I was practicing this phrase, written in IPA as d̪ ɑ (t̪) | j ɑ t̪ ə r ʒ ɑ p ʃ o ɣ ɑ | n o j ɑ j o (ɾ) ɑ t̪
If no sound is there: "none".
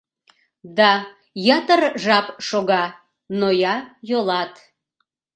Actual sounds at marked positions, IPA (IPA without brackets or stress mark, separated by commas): none, l